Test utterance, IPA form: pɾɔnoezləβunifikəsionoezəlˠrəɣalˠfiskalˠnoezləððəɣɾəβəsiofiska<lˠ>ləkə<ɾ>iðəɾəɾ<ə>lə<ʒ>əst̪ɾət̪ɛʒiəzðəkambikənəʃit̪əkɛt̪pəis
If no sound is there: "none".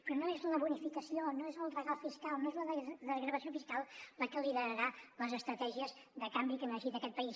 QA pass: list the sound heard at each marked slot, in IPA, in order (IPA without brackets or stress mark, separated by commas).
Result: lˠ, l, a, z